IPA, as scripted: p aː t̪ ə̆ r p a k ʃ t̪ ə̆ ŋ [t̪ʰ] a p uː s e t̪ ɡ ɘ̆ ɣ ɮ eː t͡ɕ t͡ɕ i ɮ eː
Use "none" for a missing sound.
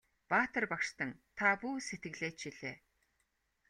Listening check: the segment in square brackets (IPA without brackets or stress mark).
t̪ʰ